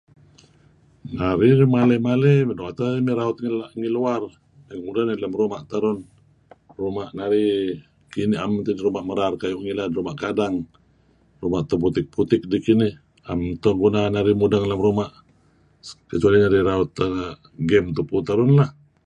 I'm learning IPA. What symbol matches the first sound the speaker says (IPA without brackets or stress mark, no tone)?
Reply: n